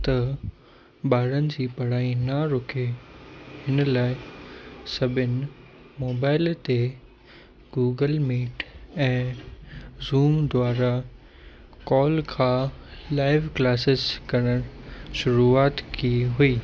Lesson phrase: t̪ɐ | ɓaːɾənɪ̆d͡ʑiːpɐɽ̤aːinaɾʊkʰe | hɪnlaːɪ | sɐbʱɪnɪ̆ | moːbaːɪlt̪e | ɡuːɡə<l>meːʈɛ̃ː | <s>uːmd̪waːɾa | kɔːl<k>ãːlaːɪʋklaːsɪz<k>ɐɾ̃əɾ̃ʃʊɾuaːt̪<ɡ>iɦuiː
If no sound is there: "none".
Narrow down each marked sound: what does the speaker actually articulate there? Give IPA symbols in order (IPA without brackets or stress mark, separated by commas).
l, z, kʰ, k, k